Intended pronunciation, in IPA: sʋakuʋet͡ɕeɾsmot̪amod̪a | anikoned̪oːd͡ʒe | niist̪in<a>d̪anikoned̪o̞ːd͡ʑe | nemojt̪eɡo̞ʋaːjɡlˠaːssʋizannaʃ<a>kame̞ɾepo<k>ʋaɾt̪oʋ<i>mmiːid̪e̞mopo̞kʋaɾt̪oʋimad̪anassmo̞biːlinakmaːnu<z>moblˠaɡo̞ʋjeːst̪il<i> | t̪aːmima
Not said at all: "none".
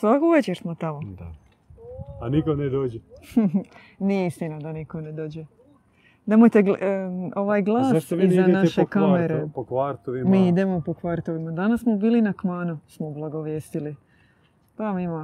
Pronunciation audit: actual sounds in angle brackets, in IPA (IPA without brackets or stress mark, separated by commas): a, e, k, i, s, i